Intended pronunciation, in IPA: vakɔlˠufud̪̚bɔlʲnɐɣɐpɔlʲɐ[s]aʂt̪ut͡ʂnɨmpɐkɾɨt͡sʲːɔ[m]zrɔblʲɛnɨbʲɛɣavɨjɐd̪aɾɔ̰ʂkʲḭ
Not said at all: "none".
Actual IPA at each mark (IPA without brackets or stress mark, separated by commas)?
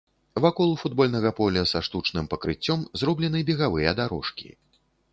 s, m